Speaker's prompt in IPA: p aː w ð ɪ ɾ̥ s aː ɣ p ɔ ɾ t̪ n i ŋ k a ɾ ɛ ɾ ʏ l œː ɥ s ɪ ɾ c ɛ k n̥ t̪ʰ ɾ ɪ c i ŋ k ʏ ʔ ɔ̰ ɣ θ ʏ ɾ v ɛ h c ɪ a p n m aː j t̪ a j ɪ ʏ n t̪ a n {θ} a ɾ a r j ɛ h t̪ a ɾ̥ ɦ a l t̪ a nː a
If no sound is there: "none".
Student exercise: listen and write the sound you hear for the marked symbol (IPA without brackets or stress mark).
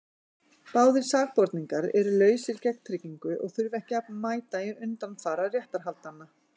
θ